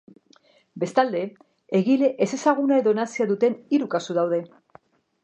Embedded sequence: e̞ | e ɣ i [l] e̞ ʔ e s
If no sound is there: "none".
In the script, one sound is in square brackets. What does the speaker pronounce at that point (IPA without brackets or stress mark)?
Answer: l